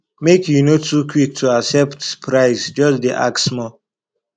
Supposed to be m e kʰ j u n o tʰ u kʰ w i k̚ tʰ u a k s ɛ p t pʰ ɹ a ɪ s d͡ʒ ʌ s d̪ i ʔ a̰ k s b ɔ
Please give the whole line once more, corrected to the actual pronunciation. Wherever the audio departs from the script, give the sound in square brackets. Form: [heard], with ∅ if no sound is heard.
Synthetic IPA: m e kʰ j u n o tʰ u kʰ w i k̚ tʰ u a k s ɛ p t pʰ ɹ a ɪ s d͡ʒ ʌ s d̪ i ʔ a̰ k s [m] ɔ